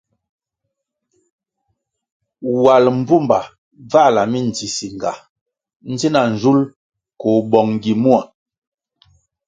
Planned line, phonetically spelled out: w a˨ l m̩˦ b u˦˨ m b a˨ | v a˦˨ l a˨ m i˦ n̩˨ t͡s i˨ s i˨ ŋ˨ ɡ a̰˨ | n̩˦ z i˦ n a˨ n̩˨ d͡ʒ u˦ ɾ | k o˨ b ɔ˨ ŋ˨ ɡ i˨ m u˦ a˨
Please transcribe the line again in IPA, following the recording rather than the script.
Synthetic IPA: w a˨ l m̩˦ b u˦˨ m b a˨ | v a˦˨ l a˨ m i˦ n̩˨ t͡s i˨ s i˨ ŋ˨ ɡ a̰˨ | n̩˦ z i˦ n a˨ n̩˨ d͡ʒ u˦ l | k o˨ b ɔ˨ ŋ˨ ɡ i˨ m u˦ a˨